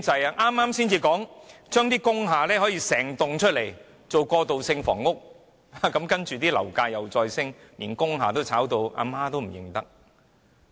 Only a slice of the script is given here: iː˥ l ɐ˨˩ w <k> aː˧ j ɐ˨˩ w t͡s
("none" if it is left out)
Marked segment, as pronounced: k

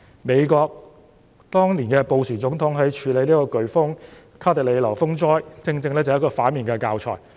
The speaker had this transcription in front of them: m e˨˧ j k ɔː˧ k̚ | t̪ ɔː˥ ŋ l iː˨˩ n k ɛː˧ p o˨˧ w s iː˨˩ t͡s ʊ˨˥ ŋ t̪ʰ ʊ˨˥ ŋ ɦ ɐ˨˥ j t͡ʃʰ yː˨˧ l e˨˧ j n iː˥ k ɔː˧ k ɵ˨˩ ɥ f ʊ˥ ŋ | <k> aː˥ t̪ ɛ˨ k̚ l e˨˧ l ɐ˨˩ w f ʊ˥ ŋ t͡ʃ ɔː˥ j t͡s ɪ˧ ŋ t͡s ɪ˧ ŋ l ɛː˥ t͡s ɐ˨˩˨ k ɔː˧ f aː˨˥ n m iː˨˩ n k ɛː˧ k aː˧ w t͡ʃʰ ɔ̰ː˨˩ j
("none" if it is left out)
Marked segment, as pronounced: kʰ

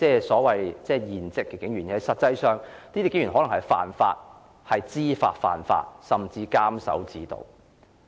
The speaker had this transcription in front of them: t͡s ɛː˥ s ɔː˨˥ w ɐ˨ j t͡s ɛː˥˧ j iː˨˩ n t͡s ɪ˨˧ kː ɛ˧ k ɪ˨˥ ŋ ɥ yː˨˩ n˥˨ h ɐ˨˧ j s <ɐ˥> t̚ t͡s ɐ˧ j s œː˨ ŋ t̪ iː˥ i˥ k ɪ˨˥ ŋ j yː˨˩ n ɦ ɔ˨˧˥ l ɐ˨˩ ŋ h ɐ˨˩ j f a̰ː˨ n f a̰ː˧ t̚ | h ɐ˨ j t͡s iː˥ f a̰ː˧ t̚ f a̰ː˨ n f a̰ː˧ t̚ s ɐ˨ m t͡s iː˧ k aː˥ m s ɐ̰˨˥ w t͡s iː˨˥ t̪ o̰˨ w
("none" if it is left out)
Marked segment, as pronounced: ɐ˨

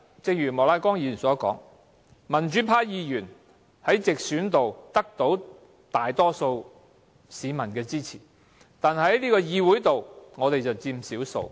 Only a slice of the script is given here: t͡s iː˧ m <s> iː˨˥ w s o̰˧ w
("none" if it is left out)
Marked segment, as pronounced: s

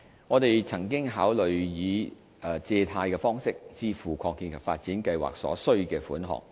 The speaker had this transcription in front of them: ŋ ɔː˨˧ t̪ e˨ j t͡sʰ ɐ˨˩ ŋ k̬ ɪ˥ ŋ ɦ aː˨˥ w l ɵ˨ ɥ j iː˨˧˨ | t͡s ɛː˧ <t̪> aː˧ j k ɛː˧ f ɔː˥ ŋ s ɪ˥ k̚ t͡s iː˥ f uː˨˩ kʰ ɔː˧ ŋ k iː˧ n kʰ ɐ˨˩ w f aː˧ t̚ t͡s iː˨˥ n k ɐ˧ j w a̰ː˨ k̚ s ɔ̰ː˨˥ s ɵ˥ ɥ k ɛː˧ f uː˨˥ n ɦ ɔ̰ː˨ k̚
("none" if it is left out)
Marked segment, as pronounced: t̪ʰ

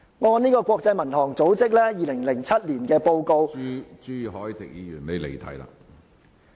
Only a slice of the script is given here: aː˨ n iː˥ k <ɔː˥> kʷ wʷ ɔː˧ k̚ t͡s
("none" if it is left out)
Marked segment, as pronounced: ɔː˧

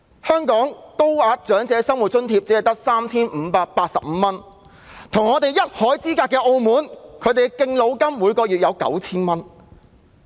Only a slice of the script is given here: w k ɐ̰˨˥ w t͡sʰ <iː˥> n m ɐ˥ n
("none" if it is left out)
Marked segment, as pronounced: iː˥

